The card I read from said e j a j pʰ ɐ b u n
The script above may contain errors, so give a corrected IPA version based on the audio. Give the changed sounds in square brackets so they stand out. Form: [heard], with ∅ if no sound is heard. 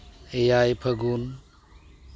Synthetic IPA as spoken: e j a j pʰ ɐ [ɡ] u n